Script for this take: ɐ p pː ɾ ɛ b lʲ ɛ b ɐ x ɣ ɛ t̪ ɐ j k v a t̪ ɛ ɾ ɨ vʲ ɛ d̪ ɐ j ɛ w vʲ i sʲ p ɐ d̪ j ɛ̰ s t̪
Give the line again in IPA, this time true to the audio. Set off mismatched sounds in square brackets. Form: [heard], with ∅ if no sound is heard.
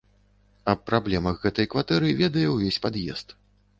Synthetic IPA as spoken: ɐ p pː ɾ [a] b lʲ ɛ [m] ɐ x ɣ ɛ t̪ ɐ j k v a t̪ ɛ ɾ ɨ vʲ ɛ d̪ ɐ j ɛ w vʲ [e] sʲ p [a] d̪ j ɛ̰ s t̪